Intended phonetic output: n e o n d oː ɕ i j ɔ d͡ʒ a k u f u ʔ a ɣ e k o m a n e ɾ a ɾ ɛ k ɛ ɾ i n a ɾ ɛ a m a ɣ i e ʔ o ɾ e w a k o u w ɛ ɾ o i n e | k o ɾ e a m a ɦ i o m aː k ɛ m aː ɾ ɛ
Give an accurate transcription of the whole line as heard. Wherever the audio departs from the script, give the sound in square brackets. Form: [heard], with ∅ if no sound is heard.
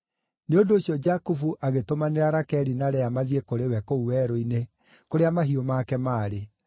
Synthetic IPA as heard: n e o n d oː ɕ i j ɔ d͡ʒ a k u f u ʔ a ɣ e [t] o m a n e ɾ a ɾ [a] k ɛ ɾ i n a ɾ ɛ a m a [ð] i e [k] o ɾ e w [ɛ] k o u w ɛ ɾ o i n e | k o ɾ e a m a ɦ i o m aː k ɛ m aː ɾ [e]